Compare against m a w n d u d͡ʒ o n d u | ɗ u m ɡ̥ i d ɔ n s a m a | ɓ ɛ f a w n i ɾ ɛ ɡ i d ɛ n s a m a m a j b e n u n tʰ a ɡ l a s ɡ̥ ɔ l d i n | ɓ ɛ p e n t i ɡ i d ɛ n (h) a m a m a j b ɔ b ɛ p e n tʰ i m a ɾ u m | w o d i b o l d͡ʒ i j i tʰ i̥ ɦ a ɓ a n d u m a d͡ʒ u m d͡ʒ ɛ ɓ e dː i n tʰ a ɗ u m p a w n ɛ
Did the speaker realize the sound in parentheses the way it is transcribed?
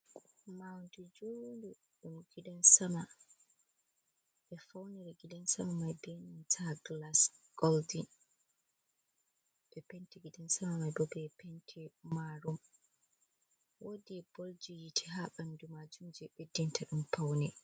no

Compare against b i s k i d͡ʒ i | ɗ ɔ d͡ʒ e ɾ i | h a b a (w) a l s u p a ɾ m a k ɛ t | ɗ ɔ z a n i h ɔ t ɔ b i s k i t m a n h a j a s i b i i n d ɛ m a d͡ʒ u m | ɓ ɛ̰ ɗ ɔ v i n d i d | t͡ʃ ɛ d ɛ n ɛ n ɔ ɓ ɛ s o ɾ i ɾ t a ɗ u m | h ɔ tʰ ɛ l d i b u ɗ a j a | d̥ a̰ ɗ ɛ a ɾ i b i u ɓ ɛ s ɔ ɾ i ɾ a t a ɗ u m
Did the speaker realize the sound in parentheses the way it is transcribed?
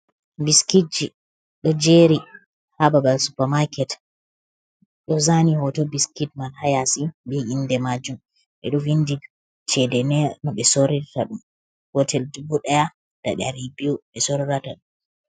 no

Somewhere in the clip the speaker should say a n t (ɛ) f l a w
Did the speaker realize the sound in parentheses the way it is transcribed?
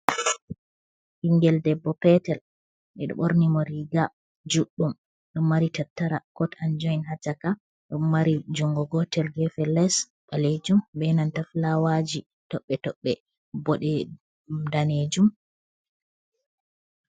no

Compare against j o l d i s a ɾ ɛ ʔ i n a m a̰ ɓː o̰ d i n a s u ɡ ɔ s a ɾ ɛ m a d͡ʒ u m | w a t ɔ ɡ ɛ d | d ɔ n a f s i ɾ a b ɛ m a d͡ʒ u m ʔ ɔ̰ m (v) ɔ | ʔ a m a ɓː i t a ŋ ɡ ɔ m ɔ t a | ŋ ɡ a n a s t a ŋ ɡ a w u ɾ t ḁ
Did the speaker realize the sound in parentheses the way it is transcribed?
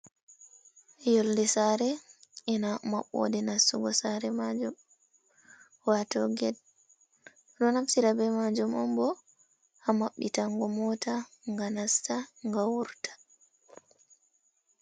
no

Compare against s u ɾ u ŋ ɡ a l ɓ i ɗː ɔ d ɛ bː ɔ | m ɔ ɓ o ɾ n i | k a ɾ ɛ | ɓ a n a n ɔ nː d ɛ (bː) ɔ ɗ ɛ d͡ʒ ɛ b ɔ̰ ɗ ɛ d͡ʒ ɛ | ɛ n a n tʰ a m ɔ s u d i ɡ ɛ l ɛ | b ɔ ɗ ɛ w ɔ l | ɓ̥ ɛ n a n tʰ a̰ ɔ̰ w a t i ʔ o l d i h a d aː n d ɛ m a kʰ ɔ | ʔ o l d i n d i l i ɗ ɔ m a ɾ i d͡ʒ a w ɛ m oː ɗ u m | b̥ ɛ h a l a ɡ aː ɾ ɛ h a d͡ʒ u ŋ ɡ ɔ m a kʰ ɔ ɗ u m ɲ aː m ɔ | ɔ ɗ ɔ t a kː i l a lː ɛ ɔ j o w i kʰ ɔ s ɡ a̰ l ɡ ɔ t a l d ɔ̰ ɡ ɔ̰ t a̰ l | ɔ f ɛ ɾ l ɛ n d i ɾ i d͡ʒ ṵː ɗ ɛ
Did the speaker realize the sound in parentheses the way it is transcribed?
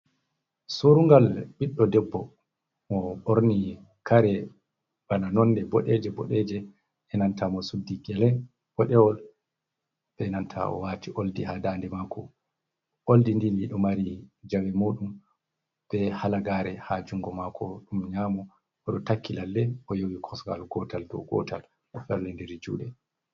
no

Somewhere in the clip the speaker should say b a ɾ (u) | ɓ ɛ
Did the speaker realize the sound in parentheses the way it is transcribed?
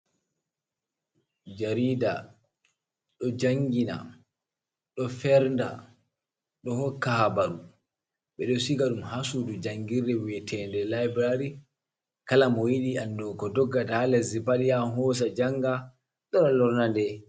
yes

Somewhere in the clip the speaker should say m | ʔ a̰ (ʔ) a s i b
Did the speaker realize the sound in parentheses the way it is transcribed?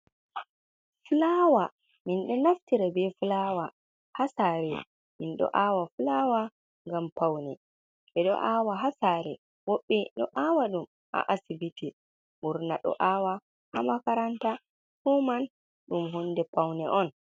yes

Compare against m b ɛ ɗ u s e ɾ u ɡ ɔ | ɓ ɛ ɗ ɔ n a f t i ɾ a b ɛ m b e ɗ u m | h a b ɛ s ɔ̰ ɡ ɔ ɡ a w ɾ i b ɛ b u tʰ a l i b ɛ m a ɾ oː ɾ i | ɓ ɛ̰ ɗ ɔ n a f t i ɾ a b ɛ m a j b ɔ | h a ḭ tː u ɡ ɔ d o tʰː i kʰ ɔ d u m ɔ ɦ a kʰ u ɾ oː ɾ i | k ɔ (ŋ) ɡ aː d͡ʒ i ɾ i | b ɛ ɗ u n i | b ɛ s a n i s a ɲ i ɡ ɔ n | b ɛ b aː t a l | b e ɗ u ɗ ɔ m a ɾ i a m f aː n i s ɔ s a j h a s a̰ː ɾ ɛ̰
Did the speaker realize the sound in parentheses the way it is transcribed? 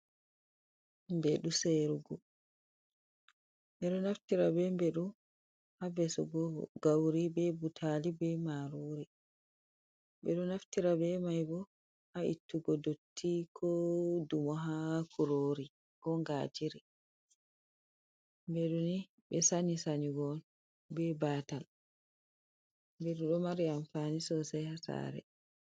yes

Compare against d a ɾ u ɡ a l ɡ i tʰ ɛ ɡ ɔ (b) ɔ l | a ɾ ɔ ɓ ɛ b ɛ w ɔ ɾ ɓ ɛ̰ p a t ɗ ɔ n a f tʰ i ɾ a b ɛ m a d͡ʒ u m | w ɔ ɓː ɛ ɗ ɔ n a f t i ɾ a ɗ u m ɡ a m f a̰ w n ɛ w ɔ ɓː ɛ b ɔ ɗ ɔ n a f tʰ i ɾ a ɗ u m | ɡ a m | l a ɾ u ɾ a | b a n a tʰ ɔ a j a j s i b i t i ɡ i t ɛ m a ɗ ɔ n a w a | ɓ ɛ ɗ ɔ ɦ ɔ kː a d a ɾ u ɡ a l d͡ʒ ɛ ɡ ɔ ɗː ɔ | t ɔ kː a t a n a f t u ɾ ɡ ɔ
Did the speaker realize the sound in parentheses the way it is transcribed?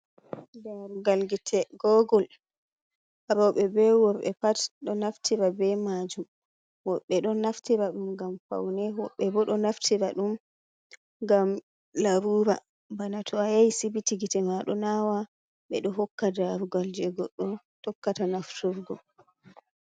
no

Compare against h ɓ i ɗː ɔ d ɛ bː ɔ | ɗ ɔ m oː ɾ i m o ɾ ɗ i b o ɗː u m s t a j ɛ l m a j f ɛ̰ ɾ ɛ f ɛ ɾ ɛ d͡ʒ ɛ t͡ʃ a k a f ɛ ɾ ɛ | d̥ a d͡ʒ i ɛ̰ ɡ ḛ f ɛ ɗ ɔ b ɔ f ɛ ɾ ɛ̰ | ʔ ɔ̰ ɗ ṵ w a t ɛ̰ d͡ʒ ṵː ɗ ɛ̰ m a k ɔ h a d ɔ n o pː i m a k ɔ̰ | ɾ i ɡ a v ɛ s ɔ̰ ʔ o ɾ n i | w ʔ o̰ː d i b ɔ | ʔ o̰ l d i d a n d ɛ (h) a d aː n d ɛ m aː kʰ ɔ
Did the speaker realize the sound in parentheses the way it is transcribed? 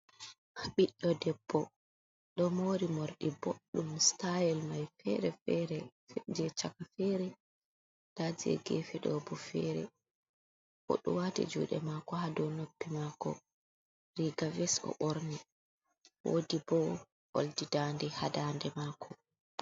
yes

